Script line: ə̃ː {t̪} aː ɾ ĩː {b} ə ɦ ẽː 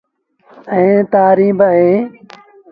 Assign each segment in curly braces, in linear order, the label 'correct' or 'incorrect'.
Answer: correct, correct

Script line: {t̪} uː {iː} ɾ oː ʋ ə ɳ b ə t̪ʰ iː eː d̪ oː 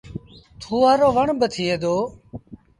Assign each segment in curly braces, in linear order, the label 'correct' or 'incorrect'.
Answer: incorrect: t̪ʰ, incorrect: aː

